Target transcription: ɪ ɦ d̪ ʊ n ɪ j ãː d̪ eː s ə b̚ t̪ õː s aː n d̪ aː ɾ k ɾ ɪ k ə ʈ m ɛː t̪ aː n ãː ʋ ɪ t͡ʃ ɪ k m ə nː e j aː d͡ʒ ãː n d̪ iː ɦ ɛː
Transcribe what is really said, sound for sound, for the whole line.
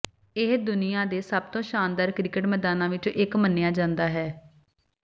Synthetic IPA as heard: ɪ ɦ d̪ ʊ n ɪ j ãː d̪ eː s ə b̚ t̪ õː ʃ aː n d̪ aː ɾ k ɾ ɪ k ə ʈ m ɛː d̪ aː n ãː ʋ ɪ t͡ʃ ɪ k m ə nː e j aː d͡ʒ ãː n d̪ aː ɦ ɛː